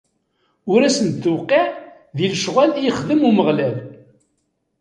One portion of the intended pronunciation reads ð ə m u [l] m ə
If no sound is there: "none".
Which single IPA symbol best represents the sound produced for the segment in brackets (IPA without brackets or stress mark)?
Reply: none